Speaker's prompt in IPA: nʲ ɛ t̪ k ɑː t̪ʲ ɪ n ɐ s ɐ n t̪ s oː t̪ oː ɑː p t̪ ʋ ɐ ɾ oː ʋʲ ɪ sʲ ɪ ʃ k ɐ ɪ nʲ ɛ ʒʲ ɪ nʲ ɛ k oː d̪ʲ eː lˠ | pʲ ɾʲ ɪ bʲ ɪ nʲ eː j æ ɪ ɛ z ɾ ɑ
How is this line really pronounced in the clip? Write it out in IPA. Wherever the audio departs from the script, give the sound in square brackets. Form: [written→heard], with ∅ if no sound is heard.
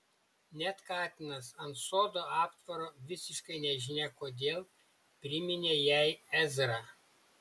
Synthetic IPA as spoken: nʲ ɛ t̪ k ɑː t̪ʲ ɪ n ɐ s ɐ n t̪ s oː [t̪→d̪] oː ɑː p t̪ ʋ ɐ ɾ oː ʋʲ ɪ sʲ ɪ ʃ k ɐ ɪ nʲ ɛ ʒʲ ɪ nʲ ɛ k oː d̪ʲ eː lˠ | pʲ ɾʲ ɪ [bʲ→mʲ] ɪ nʲ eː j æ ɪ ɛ z ɾ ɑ